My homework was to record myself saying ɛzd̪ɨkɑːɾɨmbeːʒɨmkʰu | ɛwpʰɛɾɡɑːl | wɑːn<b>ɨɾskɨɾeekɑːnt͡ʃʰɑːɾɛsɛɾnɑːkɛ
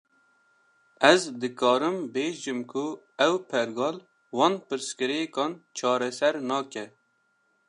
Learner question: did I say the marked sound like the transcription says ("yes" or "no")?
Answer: no